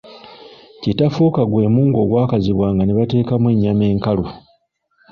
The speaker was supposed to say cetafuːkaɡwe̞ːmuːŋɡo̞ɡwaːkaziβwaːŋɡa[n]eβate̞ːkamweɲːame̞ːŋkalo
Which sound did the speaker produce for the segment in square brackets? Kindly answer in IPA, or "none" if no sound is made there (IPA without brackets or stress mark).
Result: n